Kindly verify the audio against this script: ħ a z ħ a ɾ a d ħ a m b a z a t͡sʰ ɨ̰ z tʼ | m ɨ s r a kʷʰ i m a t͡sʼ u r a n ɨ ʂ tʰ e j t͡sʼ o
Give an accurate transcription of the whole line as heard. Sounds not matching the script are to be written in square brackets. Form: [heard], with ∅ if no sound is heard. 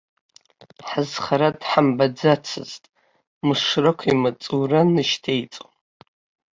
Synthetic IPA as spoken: ħ a z [χ] a ɾ a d ħ a m b a [d͡z] a t͡sʰ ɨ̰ z tʼ | m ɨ [ʂ] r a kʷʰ i m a t͡sʼ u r a n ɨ [ʃ] tʰ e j t͡sʼ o